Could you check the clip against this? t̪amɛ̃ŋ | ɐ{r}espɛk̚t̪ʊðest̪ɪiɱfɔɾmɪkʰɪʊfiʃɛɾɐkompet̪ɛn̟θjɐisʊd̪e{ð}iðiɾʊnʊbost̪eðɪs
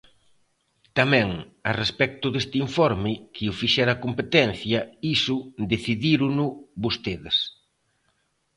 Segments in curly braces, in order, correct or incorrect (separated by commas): correct, incorrect